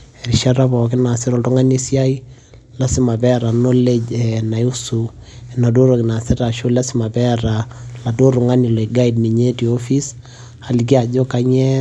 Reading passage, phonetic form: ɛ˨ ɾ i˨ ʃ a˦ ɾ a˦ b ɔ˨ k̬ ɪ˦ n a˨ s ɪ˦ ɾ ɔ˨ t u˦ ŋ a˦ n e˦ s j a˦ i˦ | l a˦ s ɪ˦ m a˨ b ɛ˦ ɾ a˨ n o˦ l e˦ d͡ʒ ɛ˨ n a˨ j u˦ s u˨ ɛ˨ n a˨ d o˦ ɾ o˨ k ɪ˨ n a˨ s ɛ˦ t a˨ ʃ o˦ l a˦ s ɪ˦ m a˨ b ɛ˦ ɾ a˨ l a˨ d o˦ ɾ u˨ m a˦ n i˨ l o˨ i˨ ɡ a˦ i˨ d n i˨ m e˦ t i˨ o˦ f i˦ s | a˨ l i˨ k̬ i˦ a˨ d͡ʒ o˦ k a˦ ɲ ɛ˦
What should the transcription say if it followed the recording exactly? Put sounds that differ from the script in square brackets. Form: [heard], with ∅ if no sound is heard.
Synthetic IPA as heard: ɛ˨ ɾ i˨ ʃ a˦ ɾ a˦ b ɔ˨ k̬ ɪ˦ n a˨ s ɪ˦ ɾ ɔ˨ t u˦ ŋ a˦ n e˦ s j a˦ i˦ | l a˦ s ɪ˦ m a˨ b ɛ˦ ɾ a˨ n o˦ l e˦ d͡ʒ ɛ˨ n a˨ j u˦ s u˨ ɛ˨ n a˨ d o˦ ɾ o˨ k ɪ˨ n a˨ s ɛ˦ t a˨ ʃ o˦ l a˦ s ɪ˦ m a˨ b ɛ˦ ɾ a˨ l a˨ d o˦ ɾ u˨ [ŋ] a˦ n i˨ l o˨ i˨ ɡ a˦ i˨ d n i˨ [ɲ] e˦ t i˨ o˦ f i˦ s | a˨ l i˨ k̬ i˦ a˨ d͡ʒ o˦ k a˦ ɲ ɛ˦